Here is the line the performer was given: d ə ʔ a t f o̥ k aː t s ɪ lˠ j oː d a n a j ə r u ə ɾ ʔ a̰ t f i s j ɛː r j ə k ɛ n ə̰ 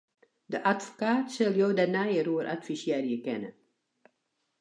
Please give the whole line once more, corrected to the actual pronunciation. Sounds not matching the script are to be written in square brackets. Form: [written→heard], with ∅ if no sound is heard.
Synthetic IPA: d ə ʔ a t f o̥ k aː t s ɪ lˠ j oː d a n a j ə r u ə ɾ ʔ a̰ t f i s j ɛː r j ə k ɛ n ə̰